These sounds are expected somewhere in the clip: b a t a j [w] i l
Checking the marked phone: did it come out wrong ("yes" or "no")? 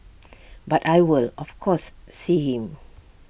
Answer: no